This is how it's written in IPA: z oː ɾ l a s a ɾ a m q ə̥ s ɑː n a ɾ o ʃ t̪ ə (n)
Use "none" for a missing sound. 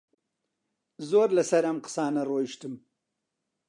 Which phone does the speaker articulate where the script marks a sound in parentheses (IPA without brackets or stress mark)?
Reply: m